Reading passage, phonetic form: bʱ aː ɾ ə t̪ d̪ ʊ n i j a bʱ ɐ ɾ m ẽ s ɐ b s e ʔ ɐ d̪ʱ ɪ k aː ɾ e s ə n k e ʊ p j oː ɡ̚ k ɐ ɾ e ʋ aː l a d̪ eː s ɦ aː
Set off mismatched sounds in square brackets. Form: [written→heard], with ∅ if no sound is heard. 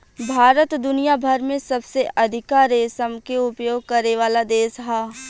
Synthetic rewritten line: bʱ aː ɾ ə t̪ d̪ ʊ n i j a bʱ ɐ ɾ m ẽ s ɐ b s e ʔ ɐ d̪ʱ ɪ k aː ɾ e s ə [n→m] k e ʊ p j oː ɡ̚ k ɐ ɾ e ʋ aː l a d̪ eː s ɦ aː